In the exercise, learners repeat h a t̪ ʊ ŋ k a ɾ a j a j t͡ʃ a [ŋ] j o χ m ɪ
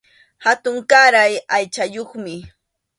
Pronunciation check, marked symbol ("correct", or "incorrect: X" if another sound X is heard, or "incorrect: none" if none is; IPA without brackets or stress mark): incorrect: none